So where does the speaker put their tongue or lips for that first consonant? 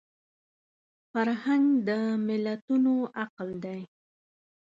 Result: lips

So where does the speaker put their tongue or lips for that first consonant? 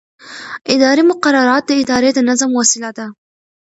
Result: throat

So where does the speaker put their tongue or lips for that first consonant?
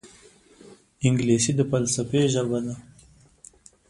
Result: velum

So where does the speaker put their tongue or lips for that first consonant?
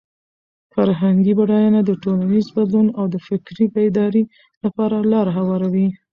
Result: lips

